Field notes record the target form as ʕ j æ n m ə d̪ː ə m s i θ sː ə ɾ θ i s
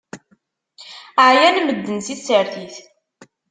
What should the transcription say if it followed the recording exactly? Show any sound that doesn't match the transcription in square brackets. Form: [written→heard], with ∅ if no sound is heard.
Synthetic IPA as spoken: ʕ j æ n m ə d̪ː ə [m→n] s i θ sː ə ɾ θ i [s→θ]